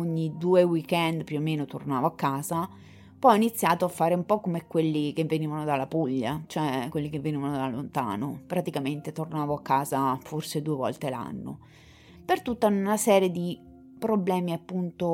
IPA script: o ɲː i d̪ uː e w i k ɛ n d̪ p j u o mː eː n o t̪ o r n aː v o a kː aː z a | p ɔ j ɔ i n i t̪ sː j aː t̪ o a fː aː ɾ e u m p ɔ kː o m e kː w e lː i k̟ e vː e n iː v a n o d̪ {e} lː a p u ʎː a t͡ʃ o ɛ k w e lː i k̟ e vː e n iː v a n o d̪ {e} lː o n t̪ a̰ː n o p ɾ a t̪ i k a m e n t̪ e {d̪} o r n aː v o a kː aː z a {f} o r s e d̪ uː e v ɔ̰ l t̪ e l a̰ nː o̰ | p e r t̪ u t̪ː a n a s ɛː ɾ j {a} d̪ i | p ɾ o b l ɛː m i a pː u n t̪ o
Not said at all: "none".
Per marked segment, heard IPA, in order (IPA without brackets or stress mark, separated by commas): a, a, t̪, f, e